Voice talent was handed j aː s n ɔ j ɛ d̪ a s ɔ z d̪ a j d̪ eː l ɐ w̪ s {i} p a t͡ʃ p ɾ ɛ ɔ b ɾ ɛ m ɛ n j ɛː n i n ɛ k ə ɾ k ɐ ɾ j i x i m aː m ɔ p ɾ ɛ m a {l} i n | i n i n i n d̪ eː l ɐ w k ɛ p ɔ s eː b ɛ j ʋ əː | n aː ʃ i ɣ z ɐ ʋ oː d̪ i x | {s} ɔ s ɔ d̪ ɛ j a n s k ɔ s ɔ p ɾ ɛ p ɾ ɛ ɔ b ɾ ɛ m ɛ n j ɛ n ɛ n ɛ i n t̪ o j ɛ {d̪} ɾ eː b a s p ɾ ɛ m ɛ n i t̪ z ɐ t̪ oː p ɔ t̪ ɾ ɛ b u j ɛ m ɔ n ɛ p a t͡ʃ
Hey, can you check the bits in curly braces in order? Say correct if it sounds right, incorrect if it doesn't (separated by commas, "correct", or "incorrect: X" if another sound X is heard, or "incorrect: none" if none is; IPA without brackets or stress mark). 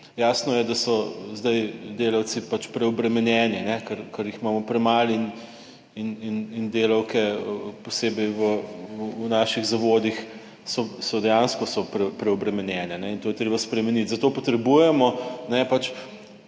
correct, correct, correct, incorrect: t̪